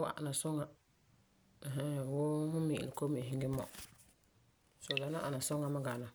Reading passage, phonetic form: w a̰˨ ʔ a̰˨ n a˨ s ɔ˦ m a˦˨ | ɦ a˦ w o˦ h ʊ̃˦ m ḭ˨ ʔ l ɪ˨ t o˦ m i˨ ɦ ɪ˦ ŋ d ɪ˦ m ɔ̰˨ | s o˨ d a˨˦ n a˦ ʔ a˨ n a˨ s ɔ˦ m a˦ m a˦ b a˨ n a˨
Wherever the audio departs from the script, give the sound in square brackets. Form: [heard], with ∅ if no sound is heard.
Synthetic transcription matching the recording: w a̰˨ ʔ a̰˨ n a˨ s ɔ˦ [ŋ] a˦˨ | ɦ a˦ w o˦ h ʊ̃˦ m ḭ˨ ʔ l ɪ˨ [k] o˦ m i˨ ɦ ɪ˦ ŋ [ɡ] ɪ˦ m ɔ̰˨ | s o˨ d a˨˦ n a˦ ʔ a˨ n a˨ s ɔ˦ [ŋ] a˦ m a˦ [ɡ] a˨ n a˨